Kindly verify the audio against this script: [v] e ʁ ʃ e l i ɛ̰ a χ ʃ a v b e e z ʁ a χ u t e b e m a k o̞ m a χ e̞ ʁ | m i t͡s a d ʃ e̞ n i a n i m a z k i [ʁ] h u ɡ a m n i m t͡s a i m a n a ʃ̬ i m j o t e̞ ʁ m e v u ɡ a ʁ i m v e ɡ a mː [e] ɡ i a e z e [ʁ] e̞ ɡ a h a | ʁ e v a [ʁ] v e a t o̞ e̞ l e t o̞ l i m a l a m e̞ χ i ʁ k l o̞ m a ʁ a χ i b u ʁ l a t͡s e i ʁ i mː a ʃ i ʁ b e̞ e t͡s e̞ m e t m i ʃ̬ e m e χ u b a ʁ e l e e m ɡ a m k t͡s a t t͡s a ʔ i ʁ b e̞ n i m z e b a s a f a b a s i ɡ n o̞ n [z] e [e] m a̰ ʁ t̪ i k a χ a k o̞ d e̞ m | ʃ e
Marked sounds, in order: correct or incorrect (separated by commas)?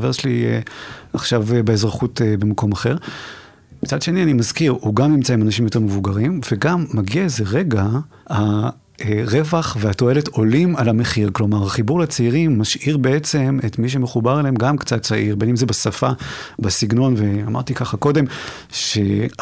correct, correct, incorrect, correct, incorrect, incorrect, incorrect